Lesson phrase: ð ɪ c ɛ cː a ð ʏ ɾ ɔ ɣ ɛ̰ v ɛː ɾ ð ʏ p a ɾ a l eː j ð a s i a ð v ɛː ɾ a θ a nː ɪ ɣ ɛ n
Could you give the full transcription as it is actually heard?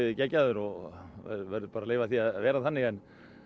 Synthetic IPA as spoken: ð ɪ c ɛ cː a ð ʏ ɾ ɔ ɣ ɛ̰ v ɛ ɾ ð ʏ p a ɾ a l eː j v a θ i a ð v ɛː ɾ a θ a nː ɪ ɣ ɛ n